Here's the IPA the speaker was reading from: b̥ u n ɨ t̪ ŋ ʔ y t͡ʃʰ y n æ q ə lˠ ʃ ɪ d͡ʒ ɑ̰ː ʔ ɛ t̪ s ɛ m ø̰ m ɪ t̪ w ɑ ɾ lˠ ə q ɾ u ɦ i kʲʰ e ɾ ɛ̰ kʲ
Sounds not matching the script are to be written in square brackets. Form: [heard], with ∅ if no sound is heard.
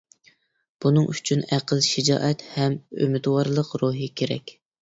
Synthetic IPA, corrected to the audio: b̥ u n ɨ [∅] ŋ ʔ y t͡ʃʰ y n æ q ə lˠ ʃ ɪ d͡ʒ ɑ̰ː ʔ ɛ t̪ [h] ɛ m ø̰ m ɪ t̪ w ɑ ɾ lˠ ə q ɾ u ɦ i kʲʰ e ɾ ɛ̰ kʲ

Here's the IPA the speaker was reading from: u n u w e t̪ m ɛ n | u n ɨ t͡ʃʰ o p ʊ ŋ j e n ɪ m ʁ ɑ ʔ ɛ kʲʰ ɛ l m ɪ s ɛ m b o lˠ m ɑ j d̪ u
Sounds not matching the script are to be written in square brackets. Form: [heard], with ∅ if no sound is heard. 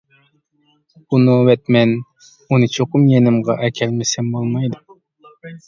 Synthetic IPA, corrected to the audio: u n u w [ɛ] t̪ m ɛ n | u n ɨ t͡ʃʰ o [q] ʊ [m] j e n ɪ m ʁ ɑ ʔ ɛ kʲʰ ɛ l m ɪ s ɛ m b o lˠ m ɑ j d̪ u

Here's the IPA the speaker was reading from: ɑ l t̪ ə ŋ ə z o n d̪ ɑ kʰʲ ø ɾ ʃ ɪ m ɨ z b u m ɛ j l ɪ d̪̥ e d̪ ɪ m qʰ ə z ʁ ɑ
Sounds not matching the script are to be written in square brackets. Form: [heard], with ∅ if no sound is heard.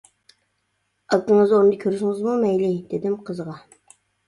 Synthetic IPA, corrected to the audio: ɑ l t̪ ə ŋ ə z o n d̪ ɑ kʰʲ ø ɾ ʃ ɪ [ŋ] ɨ z [m] u m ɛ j l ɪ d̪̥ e d̪ ɪ m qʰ ə z ʁ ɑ

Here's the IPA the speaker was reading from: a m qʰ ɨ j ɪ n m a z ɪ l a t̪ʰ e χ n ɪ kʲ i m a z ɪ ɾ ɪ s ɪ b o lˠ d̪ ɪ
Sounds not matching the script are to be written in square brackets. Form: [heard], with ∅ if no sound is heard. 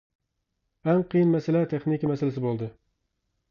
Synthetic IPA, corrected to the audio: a m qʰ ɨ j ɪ n m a [s] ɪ l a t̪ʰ e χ n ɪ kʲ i m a [s] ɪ [l] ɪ s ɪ b o lˠ d̪ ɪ

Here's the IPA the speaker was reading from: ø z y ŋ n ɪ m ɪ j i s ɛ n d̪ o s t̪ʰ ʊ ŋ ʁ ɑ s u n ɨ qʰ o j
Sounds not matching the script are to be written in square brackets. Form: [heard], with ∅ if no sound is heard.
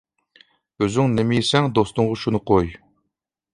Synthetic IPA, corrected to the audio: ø z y ŋ n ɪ m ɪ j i s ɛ [ŋ] d̪ o s [t̪] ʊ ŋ ʁ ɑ [ʃ] u n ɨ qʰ o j

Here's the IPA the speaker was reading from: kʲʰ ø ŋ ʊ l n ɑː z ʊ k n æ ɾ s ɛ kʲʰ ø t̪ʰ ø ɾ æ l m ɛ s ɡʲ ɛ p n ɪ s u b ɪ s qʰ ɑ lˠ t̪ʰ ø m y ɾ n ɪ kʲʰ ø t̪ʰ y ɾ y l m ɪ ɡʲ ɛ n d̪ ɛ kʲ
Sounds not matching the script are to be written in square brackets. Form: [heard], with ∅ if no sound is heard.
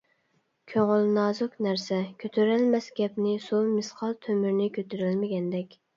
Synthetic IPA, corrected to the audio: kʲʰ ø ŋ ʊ l n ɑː z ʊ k n æ ɾ s ɛ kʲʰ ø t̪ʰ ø ɾ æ l m ɛ s ɡʲ ɛ p n ɪ s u [m] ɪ s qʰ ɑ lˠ t̪ʰ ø m y ɾ n ɪ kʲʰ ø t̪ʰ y ɾ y l m ɪ ɡʲ ɛ n d̪ ɛ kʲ

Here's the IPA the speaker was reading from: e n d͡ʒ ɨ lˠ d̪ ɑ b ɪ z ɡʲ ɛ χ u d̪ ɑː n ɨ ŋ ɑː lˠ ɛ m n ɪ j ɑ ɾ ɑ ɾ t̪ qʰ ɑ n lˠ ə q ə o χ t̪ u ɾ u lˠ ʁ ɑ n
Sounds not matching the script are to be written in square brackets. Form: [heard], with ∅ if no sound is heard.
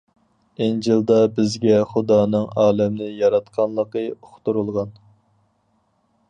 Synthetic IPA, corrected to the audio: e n d͡ʒ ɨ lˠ d̪ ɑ b ɪ z ɡʲ ɛ χ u d̪ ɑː n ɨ ŋ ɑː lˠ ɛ m n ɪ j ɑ ɾ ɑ [∅] t̪ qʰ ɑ n lˠ ə q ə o χ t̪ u ɾ u lˠ ʁ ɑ n

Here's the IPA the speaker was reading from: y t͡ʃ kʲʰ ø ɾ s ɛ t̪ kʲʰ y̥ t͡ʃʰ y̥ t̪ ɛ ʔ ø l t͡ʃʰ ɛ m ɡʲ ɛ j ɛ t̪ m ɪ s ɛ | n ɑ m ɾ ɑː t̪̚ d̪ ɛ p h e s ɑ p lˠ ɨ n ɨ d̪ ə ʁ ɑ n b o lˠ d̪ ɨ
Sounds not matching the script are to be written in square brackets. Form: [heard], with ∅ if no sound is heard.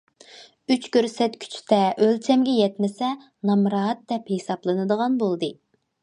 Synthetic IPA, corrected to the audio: y t͡ʃ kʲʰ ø ɾ s ɛ t̪ kʲʰ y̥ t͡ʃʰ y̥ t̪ ɛ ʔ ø l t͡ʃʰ ɛ m ɡʲ ɛ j ɛ t̪ m ɪ s ɛ | n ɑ m ɾ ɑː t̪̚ d̪ ɛ p h e s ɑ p lˠ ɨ n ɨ d̪ ə ʁ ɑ n b o lˠ d̪ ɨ

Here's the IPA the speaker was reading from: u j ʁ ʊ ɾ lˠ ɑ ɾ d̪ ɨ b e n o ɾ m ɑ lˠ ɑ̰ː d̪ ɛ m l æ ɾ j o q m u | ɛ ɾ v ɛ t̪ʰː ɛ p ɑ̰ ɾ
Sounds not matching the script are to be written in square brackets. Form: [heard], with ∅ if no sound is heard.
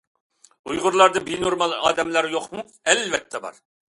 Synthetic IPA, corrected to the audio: u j ʁ ʊ ɾ lˠ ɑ ɾ d̪ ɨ b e n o ɾ m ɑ lˠ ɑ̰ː d̪ ɛ m l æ ɾ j o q m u | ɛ [l] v ɛ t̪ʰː ɛ [b] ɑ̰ ɾ

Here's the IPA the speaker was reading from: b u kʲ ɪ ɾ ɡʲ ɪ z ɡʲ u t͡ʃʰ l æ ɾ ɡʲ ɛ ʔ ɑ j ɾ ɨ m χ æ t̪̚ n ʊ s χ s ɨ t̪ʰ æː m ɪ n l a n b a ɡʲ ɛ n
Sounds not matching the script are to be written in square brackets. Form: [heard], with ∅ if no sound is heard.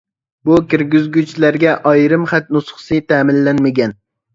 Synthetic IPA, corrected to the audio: b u kʲ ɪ ɾ ɡʲ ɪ z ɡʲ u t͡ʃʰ l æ ɾ ɡʲ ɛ ʔ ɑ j ɾ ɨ m χ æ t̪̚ n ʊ s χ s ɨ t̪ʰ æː m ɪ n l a n [m] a ɡʲ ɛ n

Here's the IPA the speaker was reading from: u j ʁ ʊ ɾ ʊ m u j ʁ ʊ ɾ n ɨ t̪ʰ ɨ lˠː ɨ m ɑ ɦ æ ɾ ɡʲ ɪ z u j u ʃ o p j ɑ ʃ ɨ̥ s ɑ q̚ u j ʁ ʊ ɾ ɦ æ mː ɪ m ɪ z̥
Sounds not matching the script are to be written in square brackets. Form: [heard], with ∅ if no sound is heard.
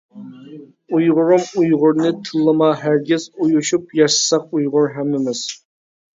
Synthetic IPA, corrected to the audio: u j ʁ ʊ ɾ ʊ m u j ʁ ʊ ɾ n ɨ t̪ʰ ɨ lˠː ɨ m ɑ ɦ æ ɾ ɡʲ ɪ z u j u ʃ [u] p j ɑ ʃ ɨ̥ s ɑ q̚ u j ʁ ʊ ɾ ɦ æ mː ɪ m ɪ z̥

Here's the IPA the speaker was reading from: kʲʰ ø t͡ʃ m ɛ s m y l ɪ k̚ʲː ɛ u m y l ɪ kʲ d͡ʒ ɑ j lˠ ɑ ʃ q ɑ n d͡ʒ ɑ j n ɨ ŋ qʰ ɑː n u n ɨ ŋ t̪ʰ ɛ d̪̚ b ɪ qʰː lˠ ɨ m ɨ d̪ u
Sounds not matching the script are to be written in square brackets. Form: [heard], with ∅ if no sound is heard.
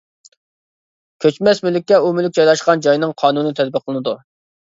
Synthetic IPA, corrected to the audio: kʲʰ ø t͡ʃ m ɛ s m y l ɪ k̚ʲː ɛ u m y l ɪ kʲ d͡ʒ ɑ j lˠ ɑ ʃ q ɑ n d͡ʒ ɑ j n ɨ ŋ qʰ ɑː n u n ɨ [∅] t̪ʰ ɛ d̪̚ b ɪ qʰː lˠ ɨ [n] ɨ d̪ u

